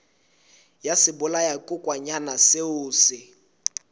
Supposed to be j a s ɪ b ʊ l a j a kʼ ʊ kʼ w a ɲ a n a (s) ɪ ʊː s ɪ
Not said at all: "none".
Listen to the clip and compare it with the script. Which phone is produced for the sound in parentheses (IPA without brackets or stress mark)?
s